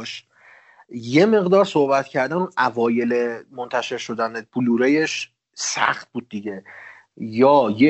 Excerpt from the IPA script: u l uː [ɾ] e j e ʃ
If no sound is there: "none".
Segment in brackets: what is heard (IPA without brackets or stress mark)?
ɾ